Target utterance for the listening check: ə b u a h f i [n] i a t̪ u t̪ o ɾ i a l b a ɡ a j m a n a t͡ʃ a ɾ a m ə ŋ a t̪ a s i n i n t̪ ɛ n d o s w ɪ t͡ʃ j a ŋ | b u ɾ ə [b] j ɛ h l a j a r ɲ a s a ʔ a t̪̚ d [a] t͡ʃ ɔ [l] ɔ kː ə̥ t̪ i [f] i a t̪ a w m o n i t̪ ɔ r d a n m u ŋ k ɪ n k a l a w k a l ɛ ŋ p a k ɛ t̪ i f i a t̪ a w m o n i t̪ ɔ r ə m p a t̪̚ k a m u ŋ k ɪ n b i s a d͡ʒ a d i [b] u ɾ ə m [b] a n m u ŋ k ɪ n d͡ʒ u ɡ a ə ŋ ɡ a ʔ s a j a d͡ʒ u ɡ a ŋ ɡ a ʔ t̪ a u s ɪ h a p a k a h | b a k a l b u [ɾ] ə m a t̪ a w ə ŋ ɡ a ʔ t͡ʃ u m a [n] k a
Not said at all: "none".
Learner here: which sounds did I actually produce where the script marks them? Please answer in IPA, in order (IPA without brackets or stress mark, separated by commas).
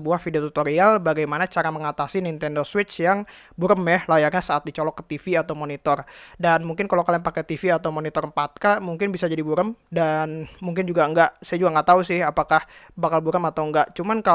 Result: d, m, i, l, f, b, d, ɾ, n